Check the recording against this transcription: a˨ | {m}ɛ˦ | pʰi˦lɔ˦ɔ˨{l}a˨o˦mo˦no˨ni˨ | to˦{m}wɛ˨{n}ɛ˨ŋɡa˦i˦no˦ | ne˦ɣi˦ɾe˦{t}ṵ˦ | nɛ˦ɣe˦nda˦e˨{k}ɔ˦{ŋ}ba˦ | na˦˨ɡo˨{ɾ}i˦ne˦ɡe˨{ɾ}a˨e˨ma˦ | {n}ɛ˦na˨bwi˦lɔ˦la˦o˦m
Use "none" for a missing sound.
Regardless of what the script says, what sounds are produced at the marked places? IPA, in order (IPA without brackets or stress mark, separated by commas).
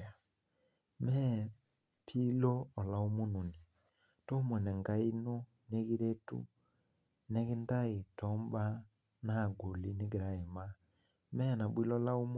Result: m, l, m, n, t, t, m, l, ɾ, m